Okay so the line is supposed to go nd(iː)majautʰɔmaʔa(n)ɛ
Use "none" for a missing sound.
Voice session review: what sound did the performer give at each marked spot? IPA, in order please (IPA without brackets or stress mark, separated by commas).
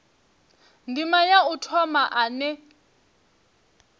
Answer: i, n